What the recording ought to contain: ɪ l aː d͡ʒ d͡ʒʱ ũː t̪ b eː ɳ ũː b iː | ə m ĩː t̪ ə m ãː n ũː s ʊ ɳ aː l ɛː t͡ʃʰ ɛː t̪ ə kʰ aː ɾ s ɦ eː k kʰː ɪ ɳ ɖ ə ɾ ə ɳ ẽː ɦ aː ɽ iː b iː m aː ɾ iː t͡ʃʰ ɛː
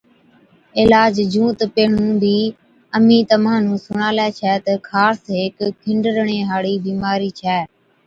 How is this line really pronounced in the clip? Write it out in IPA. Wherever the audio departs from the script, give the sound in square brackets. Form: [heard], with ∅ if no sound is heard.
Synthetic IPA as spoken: ɪ l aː d͡ʒ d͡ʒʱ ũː t̪ [p] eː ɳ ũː b iː | ə m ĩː t̪ ə m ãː n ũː s ʊ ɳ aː l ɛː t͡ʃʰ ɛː t̪ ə kʰ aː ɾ s ɦ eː k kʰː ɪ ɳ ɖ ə ɾ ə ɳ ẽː ɦ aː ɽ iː b iː m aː ɾ iː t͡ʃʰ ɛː